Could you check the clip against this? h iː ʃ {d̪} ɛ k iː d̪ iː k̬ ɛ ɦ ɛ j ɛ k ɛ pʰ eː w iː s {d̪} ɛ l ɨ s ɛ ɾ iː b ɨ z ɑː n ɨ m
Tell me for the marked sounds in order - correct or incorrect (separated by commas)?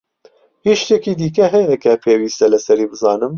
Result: incorrect, incorrect